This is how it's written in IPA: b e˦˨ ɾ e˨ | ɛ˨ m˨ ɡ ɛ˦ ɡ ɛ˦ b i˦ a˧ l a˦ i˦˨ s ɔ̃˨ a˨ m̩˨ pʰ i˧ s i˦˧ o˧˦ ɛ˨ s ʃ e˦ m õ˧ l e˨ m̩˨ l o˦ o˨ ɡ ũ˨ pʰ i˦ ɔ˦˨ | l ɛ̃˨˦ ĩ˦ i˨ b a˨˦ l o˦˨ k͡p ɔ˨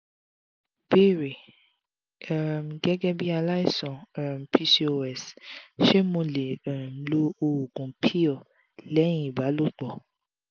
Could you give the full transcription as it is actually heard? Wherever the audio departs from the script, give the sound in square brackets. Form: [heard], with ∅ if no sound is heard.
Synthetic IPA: b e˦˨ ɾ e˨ | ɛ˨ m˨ ɡ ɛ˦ ɡ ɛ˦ b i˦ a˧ l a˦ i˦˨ s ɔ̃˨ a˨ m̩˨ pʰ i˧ s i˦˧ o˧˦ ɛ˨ s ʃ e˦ m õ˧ l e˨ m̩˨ l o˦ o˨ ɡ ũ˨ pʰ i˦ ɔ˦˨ | l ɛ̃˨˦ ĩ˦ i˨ b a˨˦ l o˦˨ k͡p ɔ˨